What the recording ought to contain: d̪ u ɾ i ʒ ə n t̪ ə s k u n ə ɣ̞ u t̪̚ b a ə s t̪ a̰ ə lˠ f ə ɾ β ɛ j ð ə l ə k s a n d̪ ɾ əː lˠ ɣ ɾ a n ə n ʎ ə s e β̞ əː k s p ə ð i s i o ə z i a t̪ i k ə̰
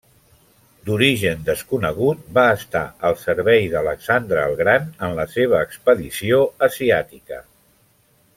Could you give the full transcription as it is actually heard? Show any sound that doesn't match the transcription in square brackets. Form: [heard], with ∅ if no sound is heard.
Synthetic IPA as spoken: d̪ u ɾ i ʒ ə n [d̪] ə s k u n ə ɣ̞ u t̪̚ b a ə s t̪ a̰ ə lˠ [s] ə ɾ β ɛ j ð ə l ə k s a n d̪ ɾ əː lˠ ɣ ɾ a n ə n [l] ə s e β̞ əː k s p ə ð i s i o ə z i a t̪ i k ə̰